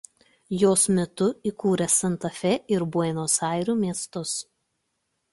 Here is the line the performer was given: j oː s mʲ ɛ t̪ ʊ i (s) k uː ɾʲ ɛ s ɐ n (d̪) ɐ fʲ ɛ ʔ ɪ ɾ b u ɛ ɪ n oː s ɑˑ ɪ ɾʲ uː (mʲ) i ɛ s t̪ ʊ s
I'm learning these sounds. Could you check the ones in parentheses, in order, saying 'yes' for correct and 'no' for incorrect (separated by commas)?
no, no, yes